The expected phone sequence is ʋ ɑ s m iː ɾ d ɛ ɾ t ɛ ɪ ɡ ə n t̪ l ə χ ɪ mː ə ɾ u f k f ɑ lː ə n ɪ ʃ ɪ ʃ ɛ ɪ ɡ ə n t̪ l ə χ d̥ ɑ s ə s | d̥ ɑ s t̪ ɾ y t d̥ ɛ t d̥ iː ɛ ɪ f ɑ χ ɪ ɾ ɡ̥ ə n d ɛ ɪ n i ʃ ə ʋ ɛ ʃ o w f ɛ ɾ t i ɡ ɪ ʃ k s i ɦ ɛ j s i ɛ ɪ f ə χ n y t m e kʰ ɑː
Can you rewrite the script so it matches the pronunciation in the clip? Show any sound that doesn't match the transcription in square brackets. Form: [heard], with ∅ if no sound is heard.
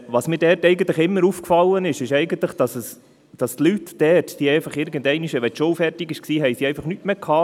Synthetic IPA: ʋ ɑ s m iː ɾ d ɛ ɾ t ɛ ɪ ɡ ə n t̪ l ə χ ɪ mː ə ɾ u f k f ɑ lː ə n ɪ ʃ ɪ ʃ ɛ ɪ ɡ ə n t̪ l ə χ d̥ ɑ s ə s | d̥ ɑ s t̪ [l] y t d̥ ɛ t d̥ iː ɛ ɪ f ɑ χ ɪ ɾ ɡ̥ ə n d ɛ ɪ n i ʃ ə ʋ ɛ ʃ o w f ɛ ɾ t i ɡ ɪ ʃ k s [iː] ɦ ɛ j s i ɛ ɪ f [ɑ] χ n y t m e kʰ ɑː

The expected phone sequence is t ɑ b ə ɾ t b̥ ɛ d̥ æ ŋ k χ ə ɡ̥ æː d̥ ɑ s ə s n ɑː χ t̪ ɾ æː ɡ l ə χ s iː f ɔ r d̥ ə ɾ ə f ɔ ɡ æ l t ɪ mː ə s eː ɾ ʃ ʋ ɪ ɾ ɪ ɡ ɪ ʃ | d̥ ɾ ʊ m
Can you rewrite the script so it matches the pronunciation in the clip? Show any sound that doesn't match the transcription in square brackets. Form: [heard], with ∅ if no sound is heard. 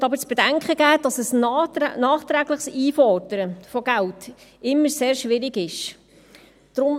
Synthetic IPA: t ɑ b ə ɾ [t͡s] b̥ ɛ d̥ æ ŋ k χ ə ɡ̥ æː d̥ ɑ s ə s n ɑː χ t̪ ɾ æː ɡ l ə χ s iː f ɔ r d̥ ə ɾ ə f ɔ ɡ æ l t ɪ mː ə s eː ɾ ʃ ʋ ɪ ɾ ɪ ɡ ɪ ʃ | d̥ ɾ ʊ m

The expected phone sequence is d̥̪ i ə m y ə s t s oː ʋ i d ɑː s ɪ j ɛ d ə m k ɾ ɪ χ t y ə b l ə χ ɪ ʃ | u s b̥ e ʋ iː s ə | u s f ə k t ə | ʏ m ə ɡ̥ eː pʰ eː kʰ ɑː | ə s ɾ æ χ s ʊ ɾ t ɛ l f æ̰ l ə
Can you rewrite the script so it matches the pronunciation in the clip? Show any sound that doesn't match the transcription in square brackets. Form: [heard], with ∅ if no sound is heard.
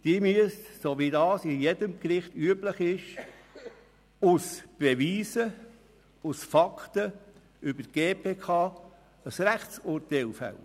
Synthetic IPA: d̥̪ i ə m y ə s t s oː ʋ i d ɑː s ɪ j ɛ d ə m k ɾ ɪ χ t y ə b l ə χ ɪ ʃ | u s b̥ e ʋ iː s ə | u s f [ɑ] k t ə | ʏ [b] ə ɡ̥ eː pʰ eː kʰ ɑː | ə s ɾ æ χ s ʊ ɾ t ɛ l f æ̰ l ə

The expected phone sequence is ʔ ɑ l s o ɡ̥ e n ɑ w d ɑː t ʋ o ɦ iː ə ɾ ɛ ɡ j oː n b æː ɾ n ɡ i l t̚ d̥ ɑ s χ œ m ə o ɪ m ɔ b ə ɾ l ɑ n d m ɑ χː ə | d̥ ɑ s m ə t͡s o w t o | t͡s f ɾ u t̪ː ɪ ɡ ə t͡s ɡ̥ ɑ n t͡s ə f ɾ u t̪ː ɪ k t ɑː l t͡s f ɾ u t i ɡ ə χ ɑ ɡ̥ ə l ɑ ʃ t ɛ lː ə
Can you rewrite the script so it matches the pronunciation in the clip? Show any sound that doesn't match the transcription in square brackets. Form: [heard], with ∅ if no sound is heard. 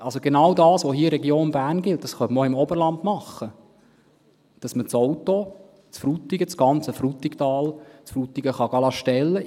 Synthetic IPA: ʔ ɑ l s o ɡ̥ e n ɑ w d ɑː [s] ʋ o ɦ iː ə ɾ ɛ ɡ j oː n b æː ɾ n ɡ [ɪ] l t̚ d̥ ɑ s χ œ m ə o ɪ m ɔ b ə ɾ l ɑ n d m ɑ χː ə | d̥ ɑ s m ə t͡s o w t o | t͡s f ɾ u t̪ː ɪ ɡ ə t͡s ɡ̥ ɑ n t͡s ə f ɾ u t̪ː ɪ k t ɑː l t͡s f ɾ u t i ɡ ə χ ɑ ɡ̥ [ɑ] l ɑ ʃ t ɛ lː ə

